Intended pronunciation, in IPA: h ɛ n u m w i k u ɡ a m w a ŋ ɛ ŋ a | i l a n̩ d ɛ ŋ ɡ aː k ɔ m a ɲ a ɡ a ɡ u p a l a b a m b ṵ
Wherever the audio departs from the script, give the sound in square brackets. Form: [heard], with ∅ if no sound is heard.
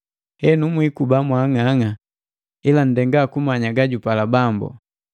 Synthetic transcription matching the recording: h ɛ n u m w i k u [b] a m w a ŋ [a] ŋ a | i l a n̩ d ɛ ŋ ɡ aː k [u] m a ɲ a ɡ a [ɟ] u p a l a b a m b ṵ